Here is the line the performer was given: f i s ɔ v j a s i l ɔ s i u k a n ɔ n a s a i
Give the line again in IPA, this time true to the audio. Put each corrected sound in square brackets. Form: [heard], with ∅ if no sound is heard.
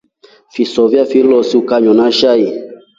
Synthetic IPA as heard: f i s ɔ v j a [f] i l ɔ s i u k a [ɲ] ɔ n a [ʃ] a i